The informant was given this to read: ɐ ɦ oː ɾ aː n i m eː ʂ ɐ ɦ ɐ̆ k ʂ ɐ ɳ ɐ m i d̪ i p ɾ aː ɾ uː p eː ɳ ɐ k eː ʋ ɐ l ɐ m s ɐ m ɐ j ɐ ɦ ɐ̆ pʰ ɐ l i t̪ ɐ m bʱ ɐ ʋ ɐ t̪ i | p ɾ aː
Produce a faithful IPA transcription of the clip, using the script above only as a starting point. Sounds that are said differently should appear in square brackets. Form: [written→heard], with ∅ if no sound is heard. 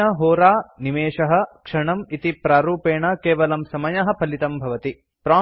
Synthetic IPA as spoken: ɐ ɦ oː ɾ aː n i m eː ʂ ɐ ɦ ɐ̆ k ʂ ɐ ɳ ɐ m i [d̪→t̪] i p ɾ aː ɾ uː p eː ɳ ɐ k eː ʋ ɐ l ɐ m s ɐ m ɐ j ɐ ɦ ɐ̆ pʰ ɐ l i t̪ ɐ m bʱ ɐ ʋ ɐ t̪ i | p ɾ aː